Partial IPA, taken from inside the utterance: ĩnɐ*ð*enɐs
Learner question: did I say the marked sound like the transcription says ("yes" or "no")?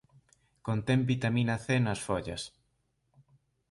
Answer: no